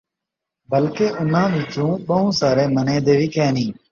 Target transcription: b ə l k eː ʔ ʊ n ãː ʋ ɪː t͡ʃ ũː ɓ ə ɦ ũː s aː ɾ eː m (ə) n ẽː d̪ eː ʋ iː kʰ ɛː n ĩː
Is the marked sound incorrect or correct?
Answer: correct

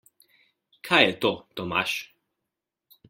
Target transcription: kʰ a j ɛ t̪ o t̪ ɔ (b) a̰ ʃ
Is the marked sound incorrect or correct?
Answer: incorrect: m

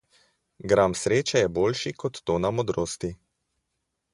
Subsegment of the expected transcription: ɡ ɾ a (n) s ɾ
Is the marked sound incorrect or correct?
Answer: incorrect: m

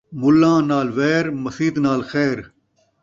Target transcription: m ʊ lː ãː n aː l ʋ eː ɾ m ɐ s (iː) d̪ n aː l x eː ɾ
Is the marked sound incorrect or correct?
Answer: correct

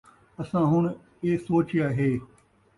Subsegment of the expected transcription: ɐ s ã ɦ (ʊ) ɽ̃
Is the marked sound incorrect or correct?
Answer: correct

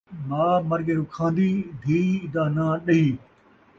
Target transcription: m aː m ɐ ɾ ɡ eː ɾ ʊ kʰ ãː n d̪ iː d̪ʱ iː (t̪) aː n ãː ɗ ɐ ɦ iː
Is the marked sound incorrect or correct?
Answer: incorrect: d̪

